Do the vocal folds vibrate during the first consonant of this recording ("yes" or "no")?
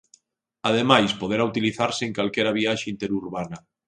yes